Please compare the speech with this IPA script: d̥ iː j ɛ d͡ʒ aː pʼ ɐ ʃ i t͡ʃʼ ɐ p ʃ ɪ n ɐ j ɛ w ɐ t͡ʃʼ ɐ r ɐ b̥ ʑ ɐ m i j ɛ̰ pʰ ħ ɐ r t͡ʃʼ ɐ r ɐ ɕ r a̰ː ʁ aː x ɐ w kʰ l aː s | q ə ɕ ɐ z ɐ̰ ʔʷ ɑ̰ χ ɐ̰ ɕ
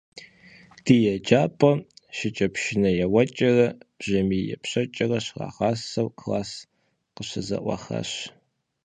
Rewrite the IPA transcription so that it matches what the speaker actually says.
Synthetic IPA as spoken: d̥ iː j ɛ d͡ʒ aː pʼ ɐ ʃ ɪ t͡ʃʼ ɐ p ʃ ɪ n ɐ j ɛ w ɐ t͡ʃʼ ɐ r ɐ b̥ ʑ ɐ m i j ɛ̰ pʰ ɕ ɐ t͡ʃʼ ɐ r ɐ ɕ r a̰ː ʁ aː s ɐ w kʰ l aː s | q ə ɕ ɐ z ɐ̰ ʔʷ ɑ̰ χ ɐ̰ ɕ

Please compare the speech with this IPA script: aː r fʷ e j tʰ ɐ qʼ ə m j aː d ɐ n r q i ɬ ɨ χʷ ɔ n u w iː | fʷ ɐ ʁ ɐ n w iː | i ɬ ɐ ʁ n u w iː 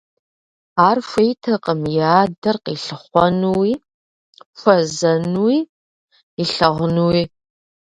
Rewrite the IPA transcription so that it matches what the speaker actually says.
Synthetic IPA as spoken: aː r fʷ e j tʰ ɐ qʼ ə m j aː d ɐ r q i ɬ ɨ χʷ ɔ n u w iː | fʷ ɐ z ɐ n w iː | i ɬ ɐ ʁ n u w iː

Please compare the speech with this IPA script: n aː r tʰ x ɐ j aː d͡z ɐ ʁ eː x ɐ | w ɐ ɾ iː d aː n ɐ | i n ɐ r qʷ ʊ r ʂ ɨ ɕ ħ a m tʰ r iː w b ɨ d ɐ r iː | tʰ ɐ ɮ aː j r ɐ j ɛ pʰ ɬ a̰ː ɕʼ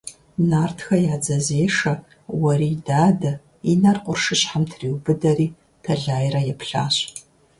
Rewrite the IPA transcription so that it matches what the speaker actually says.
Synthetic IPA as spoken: n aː r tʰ x ɐ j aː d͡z ɐ z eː ʂ ɐ | w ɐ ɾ iː d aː d ɐ | i n ɐ r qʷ ʊ r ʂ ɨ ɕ ħ a m tʰ r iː w b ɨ d ɐ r iː | tʰ ɐ ɮ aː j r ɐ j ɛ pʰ ɬ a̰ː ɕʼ

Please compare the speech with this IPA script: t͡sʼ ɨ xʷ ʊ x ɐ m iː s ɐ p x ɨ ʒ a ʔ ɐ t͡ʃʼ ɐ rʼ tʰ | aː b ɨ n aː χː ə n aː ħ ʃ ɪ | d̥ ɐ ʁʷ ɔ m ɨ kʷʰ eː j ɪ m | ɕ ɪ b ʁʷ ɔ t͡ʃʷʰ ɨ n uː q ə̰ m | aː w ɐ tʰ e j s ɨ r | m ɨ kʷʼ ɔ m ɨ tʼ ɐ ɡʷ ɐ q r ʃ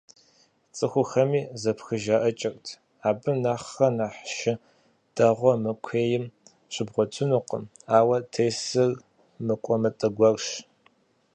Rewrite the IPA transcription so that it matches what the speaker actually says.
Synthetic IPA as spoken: t͡sʼ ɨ xʷ ʊ x ɐ m iː z ɐ p x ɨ ʒ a ʔ ɐ t͡ʃʼ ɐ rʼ tʰ | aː b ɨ n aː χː ɐ n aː ħ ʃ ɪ | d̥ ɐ ʁʷ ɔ m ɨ kʷʰ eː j ɪ m | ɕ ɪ b ʁʷ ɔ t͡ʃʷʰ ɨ n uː q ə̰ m | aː w ɐ tʰ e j s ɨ r | m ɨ kʷʼ ɔ m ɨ tʼ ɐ ɡʷ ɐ r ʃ

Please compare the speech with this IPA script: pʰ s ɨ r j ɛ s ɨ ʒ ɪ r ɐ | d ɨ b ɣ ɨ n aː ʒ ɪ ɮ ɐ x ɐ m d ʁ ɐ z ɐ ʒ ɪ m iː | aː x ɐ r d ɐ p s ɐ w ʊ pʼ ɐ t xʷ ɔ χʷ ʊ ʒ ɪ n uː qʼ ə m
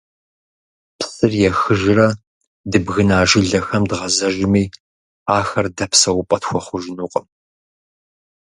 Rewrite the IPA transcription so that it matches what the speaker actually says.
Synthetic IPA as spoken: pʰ s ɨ r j ɛ x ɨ ʒ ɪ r ɐ | d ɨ b ɣ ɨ n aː ʒ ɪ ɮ ɐ x ɐ m d ʁ ɐ z ɐ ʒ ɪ m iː | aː x ɐ r d ɐ p s ɐ w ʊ pʼ ɐ t xʷ ɔ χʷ ʊ ʒ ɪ n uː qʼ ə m

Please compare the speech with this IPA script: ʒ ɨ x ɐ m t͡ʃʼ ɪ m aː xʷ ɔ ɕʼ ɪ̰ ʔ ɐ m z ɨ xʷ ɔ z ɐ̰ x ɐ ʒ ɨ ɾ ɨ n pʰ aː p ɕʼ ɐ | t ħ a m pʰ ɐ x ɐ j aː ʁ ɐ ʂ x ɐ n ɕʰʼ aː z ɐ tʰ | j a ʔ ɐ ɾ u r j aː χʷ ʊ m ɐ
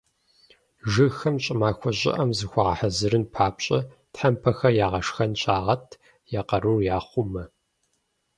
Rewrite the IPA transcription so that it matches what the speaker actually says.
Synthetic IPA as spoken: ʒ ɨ x ɐ m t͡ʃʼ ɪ m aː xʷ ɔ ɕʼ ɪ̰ ʔ ɐ m z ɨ xʷ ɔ ʁ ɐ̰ ħ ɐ z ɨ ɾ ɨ n pʰ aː p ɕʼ ɐ | t ħ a m pʰ ɐ x ɐ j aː ʁ ɐ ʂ x ɐ n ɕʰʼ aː ʁ ɐ tʰ | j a q ɐ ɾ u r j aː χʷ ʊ m ɐ

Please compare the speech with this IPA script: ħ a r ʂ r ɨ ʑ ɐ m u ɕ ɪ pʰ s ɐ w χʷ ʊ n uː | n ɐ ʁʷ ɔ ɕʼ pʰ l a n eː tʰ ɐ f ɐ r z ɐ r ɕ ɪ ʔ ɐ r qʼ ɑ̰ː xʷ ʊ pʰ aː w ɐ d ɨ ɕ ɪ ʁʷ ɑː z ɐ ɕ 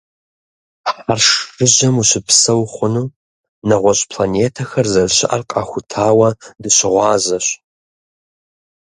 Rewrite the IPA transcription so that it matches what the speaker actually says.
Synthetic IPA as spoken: ħ a r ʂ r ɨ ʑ ɐ m u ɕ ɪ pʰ s ɐ w χʷ ʊ n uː | n ɐ ʁʷ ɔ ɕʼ pʰ l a n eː tʰ ɐ x ɐ r z ɐ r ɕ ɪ ʔ ɐ r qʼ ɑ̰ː xʷ ʊ tʰ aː w ɐ d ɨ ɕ ɪ ʁʷ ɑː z ɐ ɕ

